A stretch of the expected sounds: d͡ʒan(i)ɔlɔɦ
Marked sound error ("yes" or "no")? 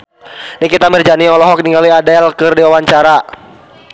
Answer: no